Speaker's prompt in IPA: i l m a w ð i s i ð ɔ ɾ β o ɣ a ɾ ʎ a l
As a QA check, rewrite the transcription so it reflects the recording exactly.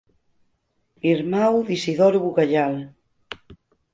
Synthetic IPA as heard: i ɾ m a w ð i s i ð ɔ ɾ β u ɣ a ʎ a l